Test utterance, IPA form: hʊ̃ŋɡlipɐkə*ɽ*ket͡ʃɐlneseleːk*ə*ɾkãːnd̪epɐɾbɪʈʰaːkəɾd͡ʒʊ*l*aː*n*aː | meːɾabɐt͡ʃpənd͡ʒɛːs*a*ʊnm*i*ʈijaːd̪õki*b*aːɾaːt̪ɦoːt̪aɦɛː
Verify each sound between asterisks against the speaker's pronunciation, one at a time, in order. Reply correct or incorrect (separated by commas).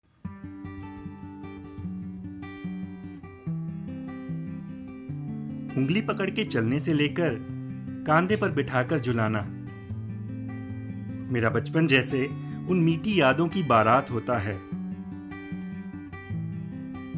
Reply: correct, correct, correct, correct, incorrect, incorrect, correct